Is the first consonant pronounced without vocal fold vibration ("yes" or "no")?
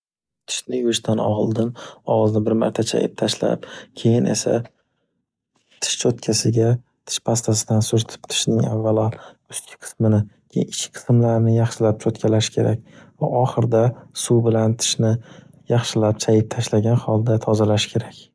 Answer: yes